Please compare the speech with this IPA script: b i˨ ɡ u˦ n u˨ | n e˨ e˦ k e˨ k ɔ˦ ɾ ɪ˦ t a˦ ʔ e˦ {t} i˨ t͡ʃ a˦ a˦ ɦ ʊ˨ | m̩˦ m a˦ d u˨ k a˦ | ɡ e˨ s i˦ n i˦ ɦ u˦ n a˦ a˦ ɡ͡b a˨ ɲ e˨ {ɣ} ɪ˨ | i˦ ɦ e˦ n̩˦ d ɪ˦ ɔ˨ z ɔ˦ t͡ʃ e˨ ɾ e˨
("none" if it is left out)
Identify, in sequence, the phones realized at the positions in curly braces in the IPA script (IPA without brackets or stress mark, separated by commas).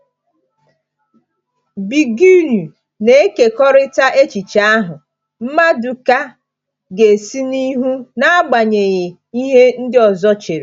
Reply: t͡ʃ, ɣ